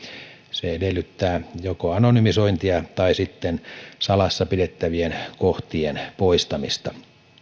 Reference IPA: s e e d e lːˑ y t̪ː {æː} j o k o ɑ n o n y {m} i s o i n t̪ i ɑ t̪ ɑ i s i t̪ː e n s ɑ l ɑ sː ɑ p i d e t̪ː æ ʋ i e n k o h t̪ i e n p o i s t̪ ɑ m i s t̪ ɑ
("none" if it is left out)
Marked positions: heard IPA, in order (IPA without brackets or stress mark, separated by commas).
æː, m